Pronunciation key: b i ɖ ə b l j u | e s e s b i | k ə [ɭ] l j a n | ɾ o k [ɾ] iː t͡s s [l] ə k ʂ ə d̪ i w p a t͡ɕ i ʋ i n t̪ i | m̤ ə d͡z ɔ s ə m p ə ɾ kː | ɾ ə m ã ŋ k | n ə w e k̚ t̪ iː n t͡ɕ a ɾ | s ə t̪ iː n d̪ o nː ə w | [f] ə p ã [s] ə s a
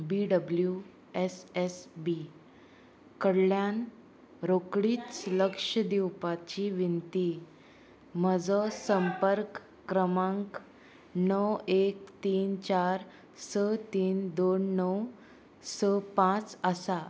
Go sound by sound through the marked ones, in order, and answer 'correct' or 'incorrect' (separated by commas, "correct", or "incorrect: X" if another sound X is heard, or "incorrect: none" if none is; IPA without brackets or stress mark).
incorrect: ɽ, incorrect: ɽ, correct, incorrect: s, incorrect: t͡s